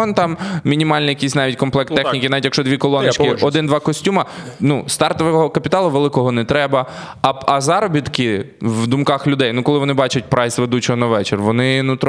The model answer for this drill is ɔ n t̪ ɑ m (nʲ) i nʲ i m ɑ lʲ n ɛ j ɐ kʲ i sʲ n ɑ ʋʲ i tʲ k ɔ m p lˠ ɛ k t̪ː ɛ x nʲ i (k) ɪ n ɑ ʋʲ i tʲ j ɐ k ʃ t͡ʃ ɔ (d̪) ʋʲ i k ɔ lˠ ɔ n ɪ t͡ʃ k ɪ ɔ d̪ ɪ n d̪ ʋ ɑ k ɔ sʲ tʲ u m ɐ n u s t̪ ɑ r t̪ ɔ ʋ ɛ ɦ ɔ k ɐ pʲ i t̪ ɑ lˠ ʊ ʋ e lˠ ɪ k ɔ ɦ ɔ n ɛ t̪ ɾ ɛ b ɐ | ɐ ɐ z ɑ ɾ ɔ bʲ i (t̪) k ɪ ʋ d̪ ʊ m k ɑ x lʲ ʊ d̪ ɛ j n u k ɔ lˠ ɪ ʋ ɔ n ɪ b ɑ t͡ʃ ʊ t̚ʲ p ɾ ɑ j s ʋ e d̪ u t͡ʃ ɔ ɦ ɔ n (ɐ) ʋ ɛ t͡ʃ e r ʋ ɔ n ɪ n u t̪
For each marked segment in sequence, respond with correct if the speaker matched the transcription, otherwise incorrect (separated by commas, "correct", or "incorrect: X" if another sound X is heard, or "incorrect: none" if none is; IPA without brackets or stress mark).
incorrect: mʲ, correct, correct, correct, correct